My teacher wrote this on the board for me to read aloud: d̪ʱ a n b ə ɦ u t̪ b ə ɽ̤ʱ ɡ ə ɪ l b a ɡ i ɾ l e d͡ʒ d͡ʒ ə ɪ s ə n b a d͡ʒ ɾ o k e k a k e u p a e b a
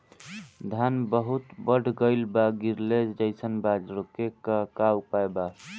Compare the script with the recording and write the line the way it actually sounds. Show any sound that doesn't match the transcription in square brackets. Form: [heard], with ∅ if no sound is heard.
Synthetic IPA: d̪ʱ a n b ə ɦ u t̪ b ə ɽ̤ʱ ɡ ə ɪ l b a ɡ i ɾ l e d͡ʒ d͡ʒ ə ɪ s ə n b a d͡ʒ ɾ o k e k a k [a] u p a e b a